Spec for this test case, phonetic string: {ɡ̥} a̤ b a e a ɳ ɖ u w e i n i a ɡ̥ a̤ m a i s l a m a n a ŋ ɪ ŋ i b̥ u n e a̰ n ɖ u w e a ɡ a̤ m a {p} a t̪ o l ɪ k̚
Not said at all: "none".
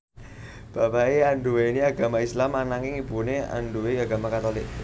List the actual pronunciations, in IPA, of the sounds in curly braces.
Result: b̥, k

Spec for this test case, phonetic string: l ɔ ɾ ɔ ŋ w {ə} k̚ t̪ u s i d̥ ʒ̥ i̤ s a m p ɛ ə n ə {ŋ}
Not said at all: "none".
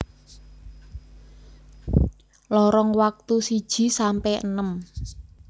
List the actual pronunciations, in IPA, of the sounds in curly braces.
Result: a, m

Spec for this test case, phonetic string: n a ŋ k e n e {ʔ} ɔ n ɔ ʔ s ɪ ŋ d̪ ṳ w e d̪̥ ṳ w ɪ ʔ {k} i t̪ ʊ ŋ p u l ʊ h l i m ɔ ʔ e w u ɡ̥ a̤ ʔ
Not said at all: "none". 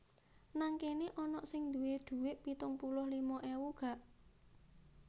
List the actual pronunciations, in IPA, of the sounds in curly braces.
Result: ʔ, p

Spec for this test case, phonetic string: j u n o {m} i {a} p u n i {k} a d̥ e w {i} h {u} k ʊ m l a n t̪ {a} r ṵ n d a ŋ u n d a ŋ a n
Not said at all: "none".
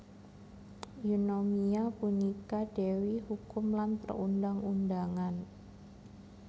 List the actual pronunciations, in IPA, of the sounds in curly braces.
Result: m, a, k, i, u, ə

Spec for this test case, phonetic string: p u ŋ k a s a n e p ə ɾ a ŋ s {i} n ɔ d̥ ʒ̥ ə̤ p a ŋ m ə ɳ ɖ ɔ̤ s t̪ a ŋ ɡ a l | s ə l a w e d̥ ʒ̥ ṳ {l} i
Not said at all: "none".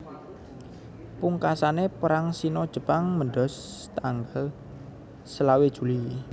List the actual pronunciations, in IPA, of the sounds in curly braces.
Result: i, l

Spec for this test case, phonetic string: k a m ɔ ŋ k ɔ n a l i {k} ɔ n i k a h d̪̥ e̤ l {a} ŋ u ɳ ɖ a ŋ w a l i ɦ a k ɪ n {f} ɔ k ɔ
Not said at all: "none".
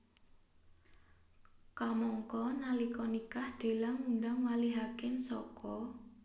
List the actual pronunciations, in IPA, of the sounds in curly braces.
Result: k, a, s

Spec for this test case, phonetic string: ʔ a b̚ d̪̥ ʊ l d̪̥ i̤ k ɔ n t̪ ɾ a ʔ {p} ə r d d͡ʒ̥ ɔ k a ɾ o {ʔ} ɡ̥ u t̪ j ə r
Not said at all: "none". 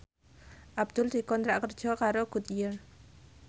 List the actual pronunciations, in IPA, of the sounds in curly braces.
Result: k, none

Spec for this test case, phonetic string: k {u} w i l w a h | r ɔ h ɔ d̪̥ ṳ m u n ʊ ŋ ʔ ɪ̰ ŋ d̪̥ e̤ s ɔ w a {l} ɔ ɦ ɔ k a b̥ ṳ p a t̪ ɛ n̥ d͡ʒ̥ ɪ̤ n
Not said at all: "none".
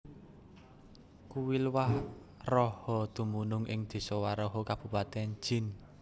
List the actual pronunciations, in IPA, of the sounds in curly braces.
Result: u, ɾ

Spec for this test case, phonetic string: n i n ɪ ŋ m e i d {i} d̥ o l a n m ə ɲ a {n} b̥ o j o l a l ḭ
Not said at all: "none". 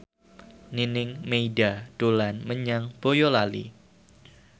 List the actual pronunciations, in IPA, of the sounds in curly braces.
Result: a, ŋ

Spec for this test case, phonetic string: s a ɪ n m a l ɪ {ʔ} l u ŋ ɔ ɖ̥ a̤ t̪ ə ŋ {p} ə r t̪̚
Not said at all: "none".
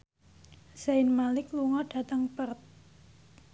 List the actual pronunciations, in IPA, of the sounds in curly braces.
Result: k, p

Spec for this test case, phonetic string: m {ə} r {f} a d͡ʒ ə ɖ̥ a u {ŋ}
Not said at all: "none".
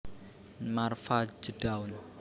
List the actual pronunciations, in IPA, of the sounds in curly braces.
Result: a, f, n

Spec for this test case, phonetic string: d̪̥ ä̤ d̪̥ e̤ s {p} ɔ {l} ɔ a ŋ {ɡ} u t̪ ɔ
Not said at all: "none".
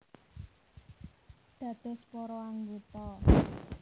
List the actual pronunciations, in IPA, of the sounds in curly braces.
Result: p, ɾ, ɡ

